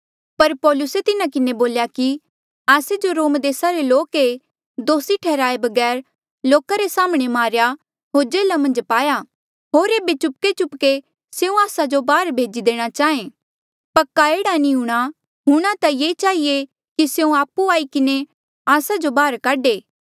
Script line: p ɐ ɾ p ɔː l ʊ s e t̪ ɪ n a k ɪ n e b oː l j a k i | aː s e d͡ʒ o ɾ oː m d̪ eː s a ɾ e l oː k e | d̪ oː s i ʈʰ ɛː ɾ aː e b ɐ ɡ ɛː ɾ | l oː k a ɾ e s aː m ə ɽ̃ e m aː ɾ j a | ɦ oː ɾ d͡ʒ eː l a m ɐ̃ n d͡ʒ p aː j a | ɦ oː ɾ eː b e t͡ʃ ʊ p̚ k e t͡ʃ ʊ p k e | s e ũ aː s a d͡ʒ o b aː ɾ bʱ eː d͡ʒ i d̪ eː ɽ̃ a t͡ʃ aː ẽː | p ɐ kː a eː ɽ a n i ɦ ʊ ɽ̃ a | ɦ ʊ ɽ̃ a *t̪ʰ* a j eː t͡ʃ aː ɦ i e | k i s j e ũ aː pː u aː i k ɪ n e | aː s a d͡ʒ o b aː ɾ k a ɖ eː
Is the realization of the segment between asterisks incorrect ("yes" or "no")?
yes